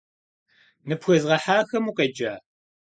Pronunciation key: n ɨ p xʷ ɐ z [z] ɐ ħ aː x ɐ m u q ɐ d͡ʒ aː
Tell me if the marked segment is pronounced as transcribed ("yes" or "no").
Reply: no